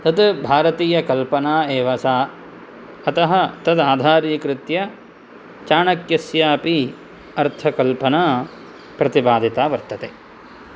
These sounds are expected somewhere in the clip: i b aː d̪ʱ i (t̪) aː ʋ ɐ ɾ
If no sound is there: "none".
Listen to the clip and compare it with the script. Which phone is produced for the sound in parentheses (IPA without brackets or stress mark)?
t̪